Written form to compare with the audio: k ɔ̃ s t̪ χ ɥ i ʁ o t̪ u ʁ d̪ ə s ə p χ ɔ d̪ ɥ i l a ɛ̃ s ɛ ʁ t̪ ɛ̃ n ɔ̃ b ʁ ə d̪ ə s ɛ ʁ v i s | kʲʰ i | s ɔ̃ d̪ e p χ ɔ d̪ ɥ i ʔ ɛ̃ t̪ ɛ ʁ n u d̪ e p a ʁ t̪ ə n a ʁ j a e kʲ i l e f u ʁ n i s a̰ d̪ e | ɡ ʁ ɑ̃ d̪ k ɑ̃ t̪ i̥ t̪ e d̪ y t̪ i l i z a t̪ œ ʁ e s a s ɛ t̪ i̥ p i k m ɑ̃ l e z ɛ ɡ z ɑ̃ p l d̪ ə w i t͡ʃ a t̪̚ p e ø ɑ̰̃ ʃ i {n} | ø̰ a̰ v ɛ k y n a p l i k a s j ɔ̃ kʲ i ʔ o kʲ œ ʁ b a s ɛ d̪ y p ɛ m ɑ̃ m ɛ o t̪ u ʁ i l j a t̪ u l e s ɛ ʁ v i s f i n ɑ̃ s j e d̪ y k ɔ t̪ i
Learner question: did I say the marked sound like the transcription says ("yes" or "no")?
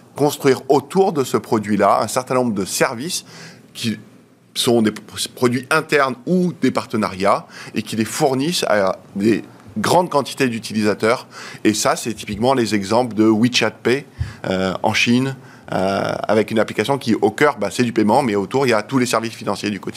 yes